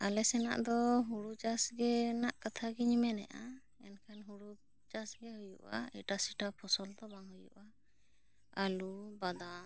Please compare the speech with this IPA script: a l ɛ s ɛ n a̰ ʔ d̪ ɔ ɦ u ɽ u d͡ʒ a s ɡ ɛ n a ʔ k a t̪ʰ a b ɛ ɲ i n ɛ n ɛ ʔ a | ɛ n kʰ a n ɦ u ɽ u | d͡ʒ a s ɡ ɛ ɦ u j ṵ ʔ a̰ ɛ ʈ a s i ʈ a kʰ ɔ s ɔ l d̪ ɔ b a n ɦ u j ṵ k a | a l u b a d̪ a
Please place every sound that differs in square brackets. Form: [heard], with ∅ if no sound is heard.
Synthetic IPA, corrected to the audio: a l ɛ s ɛ n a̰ ʔ d̪ ɔ ɦ u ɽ u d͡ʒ a s ɡ ɛ n a ʔ k a t̪ʰ a [ɡ] ɛ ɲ i [m] ɛ n ɛ ʔ a | ɛ n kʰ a n ɦ u ɽ u | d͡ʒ a s ɡ ɛ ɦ u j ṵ ʔ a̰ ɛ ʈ a s i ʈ a [pʰ] ɔ s ɔ l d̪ ɔ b a [ŋ] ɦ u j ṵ [ʔ] a | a l u b a d̪ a